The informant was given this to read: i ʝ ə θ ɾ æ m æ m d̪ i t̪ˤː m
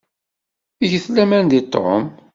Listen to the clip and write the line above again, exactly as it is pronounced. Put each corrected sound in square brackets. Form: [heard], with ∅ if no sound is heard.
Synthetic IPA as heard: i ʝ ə θ [l] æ m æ [n] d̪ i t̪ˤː m